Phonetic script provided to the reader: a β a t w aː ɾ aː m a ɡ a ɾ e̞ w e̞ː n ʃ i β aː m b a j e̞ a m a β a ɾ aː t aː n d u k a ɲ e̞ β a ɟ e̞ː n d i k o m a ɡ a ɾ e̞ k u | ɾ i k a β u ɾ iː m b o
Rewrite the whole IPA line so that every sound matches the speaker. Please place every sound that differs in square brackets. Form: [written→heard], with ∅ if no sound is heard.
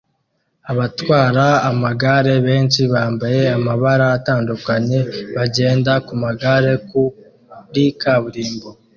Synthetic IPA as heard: a β a t w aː ɾ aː m a ɡ a ɾ e̞ [w→β] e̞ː n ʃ i β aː m b a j e̞ a m a β a ɾ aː t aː n d u k a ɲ e̞ β a ɟ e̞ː n d [i→a] k [o→u] m a ɡ a ɾ e̞ k u | ɾ i k a β u ɾ iː m b o